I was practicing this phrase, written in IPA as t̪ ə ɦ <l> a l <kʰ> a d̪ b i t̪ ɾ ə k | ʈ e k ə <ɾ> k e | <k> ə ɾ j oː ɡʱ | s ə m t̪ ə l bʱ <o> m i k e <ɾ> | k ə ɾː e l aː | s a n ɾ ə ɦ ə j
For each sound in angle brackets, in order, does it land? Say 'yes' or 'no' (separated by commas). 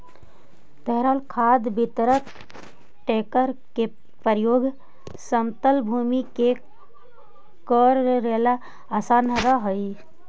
no, yes, yes, no, no, no